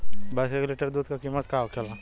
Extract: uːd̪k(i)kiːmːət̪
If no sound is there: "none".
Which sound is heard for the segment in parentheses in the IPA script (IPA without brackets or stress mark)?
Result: a